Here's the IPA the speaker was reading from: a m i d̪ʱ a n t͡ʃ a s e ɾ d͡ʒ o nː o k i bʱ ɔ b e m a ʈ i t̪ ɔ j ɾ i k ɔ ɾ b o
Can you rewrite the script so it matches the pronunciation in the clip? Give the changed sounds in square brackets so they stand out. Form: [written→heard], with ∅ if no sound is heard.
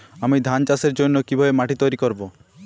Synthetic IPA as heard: a m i d̪ʱ a n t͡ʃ a s e ɾ d͡ʒ o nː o k i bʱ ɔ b e m a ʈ i t̪ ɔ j ɾ i k ɔ ɾ b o